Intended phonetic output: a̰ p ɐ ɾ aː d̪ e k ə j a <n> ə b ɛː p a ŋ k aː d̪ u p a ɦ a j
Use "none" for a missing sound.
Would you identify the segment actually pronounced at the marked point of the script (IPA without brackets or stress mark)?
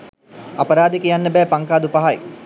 nː